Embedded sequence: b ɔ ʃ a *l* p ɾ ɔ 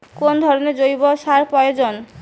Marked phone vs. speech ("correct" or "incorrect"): incorrect